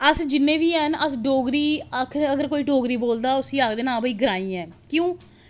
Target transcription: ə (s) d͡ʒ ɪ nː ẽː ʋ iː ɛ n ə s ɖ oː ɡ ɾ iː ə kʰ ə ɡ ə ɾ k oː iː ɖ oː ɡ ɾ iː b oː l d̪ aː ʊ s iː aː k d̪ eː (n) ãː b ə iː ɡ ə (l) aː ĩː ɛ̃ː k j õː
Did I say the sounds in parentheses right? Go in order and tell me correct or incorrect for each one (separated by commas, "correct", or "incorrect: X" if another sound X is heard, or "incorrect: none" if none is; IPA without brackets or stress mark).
correct, correct, incorrect: ɾ